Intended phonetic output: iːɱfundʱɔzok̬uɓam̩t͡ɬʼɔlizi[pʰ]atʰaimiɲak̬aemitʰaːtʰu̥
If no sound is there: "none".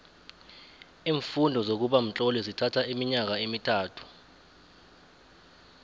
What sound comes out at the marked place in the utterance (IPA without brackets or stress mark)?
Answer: tʰ